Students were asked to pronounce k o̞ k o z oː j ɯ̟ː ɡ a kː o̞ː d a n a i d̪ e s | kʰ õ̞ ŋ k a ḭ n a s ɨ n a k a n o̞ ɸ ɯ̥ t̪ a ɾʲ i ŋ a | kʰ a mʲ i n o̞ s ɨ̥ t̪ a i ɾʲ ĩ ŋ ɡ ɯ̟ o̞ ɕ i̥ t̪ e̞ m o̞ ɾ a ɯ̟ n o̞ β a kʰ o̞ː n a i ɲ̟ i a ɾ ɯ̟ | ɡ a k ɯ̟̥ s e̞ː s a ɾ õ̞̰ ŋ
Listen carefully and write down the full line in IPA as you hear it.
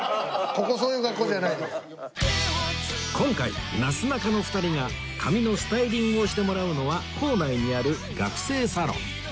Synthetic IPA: k o̞ k o s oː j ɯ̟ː ɡ a kː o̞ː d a n a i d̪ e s | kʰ õ̞ ŋ k a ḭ n a s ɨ n a k a n o̞ ɸ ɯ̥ t̪ a ɾʲ i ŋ a | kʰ a mʲ i n o̞ s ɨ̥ t̪ a i ɾʲ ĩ ŋ ɡ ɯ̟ o̞ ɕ i̥ t̪ e̞ m o̞ ɾ a ɯ̟ n o̞ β a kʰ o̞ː n a i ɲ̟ i a ɾ ɯ̟ | ɡ a k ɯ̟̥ s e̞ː s a ɾ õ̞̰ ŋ